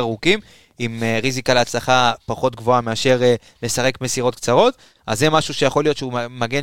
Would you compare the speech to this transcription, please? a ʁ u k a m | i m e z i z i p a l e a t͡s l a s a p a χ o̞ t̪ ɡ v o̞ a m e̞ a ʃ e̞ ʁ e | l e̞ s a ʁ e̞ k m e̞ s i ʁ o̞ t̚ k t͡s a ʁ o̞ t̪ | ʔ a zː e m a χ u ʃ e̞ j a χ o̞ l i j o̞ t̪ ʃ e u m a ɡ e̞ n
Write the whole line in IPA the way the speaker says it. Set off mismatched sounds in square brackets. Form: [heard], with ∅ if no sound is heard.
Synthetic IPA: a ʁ u k [i] m | i m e [ʁ] i z i [k] a l e a t͡s l a [χ] a p a χ o̞ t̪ ɡ v o̞ a m e̞ a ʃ e̞ ʁ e | l e̞ s a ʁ e̞ k m e̞ s i ʁ o̞ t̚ k t͡s a ʁ o̞ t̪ | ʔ a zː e m a [ʃ] u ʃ e̞ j a χ o̞ l i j o̞ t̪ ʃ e u m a ɡ e̞ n